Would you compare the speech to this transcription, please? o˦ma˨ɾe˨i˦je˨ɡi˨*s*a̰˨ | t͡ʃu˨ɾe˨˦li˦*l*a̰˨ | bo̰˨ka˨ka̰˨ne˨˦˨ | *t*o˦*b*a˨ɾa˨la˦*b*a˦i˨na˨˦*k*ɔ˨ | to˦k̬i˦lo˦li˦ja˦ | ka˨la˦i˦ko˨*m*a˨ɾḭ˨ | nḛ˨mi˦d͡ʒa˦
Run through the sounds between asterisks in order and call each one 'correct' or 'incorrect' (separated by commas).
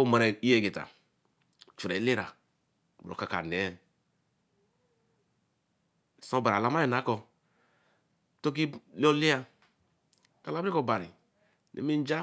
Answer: incorrect, incorrect, incorrect, correct, incorrect, correct, incorrect